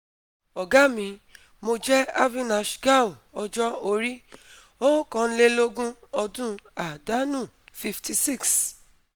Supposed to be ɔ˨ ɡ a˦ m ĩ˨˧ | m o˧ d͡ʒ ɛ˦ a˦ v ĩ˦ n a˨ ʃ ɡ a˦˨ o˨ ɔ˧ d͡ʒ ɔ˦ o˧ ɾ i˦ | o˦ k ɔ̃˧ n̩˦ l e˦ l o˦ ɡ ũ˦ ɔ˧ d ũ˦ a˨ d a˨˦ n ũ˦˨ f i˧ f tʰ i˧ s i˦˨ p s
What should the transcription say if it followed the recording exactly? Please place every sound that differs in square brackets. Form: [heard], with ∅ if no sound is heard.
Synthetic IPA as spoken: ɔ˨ ɡ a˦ m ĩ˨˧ | m o˧ d͡ʒ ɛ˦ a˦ v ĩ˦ n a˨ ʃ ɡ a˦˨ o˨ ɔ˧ d͡ʒ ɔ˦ o˧ ɾ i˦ | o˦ k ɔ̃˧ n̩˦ l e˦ l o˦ ɡ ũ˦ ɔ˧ d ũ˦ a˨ d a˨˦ n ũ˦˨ f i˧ f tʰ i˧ s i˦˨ [k] s